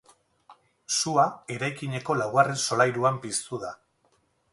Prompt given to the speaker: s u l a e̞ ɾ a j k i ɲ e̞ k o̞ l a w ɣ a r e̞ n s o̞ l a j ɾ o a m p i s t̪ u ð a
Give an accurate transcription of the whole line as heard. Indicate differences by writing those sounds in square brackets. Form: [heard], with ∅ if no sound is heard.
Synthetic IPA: s u [∅] a e̞ ɾ a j k i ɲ e̞ k o̞ l a w ɣ a r e̞ n s o̞ l a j ɾ [u] a m p i s t̪ u ð a